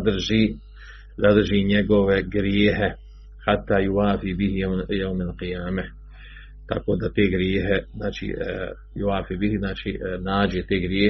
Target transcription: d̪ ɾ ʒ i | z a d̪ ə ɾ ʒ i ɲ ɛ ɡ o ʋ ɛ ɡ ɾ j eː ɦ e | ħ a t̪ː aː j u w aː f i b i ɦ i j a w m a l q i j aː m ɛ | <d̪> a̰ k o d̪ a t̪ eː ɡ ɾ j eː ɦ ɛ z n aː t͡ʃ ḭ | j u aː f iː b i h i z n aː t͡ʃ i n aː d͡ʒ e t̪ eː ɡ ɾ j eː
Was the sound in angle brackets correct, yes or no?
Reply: no